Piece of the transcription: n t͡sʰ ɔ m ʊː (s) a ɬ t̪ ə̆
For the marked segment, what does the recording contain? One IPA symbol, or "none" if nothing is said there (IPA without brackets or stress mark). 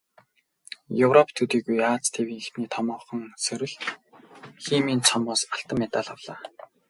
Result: s